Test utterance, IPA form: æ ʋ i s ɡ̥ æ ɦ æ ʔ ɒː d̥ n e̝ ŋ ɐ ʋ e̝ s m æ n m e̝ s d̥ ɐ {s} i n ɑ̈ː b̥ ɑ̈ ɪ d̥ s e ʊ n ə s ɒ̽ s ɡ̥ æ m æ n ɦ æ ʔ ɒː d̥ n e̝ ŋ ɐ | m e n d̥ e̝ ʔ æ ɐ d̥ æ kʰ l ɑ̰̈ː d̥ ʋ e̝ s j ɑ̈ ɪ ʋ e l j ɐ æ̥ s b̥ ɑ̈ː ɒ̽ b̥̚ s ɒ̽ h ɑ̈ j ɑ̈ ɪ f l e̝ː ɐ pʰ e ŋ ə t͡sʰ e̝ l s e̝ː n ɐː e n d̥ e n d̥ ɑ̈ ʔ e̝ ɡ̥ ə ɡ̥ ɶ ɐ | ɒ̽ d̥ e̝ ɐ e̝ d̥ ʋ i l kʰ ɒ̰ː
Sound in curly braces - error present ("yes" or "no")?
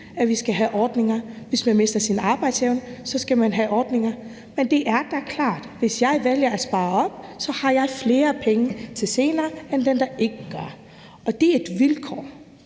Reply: no